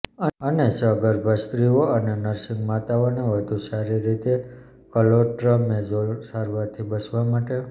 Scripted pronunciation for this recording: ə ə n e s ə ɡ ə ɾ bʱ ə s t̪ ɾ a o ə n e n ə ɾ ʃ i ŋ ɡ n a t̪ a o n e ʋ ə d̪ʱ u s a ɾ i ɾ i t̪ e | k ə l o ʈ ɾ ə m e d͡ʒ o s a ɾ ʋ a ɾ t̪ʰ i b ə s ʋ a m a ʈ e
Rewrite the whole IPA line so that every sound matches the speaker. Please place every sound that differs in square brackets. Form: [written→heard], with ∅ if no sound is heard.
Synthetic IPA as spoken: ə ə n e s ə ɡ ə ɾ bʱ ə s t̪ ɾ [a→i] o ə n e n ə ɾ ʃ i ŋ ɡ [n→m] a t̪ a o n e ʋ ə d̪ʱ u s a ɾ i ɾ i t̪ e | k ə l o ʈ ɾ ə m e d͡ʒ o s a ɾ ʋ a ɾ t̪ʰ i b ə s ʋ a m a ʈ e